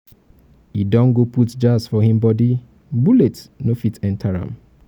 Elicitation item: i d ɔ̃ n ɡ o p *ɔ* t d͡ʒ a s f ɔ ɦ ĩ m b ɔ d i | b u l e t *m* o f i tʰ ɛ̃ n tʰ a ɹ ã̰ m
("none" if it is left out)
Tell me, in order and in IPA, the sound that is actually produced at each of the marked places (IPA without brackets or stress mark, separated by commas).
u, n